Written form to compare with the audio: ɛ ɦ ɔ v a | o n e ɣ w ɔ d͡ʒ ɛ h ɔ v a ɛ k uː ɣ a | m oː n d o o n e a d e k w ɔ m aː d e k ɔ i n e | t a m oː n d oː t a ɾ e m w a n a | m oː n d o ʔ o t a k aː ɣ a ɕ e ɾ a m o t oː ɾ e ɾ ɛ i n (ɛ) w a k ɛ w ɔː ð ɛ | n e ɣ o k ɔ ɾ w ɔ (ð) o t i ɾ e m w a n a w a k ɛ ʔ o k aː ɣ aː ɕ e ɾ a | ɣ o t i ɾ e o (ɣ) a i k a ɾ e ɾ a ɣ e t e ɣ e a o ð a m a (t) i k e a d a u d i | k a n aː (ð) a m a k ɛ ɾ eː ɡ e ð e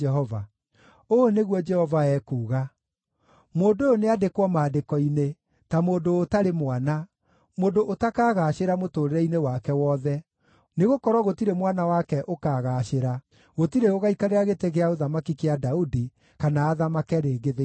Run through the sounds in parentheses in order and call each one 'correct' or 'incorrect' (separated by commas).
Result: incorrect, incorrect, correct, incorrect, correct